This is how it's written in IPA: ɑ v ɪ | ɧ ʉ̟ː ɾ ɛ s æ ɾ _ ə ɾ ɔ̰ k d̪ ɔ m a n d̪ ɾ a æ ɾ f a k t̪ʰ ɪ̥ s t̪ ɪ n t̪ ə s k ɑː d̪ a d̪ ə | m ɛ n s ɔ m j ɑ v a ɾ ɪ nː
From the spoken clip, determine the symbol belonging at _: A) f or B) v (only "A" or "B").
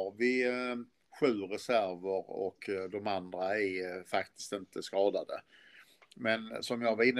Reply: B